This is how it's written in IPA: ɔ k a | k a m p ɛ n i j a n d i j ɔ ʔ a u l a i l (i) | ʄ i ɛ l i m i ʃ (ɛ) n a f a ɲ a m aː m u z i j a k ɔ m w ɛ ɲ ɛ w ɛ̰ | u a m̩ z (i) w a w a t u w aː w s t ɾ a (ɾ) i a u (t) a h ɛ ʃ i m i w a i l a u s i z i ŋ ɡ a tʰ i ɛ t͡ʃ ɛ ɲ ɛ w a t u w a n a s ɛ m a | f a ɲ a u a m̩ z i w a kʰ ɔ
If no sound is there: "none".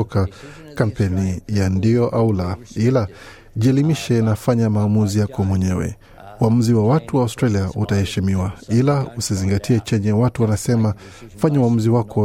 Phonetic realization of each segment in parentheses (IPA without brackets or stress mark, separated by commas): a, ɛ, i, l, t